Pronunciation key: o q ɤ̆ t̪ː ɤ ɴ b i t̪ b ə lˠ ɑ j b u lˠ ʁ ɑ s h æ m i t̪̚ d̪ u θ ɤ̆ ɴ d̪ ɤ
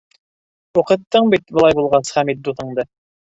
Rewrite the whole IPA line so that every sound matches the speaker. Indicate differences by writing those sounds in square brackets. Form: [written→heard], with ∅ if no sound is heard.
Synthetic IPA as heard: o q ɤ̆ t̪ː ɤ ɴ b i t̪ b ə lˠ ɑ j b u lˠ ʁ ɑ s [h→χ] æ m i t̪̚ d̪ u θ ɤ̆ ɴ d̪ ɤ